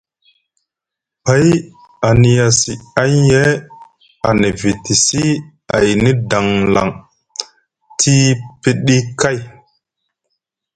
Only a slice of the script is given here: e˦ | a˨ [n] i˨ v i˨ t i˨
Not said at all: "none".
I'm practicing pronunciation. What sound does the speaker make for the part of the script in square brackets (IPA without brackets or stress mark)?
n